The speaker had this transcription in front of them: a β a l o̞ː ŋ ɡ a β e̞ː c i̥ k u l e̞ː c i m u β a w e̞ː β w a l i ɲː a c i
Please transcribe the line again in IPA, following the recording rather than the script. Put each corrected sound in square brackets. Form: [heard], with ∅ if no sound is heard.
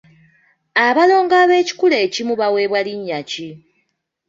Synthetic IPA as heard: a β a l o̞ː ŋ ɡ a β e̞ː c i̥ k u l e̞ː c i m u β a w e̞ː β w a l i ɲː a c i